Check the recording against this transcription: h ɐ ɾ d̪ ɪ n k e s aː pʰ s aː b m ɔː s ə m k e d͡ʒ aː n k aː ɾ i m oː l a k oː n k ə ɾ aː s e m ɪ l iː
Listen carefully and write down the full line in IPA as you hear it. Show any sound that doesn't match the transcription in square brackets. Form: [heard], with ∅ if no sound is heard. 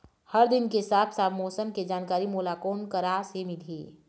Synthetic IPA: h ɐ ɾ d̪ ɪ n k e s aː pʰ s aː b m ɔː s ə m k e d͡ʒ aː n k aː ɾ i m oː l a k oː n k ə ɾ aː s e m ɪ l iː